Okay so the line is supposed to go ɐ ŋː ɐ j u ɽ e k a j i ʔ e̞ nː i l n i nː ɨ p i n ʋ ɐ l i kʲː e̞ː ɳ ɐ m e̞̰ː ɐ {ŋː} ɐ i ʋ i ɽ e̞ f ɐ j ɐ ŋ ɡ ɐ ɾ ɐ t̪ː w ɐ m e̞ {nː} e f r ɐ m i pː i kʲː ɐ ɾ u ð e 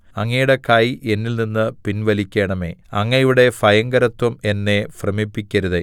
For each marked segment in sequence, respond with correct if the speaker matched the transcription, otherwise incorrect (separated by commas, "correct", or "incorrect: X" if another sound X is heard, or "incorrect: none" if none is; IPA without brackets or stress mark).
correct, correct